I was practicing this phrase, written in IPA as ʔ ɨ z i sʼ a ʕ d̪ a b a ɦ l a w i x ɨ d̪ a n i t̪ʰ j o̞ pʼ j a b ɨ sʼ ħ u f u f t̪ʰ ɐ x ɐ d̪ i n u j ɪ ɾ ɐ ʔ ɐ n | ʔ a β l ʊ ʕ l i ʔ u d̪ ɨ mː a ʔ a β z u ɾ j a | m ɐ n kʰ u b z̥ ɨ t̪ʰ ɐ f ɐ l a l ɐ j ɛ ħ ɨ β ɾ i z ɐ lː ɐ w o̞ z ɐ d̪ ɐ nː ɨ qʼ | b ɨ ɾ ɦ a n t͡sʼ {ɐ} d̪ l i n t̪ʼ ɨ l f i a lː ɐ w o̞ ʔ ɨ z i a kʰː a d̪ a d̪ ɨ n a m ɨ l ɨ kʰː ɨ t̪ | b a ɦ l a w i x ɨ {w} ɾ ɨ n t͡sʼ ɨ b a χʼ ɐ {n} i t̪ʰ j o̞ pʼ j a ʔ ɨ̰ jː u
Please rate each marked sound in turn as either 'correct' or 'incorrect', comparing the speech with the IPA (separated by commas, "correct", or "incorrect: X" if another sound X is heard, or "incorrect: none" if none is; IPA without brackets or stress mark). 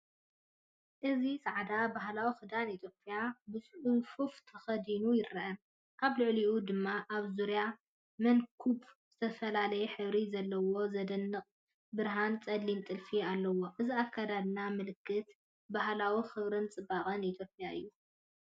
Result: correct, incorrect: β, correct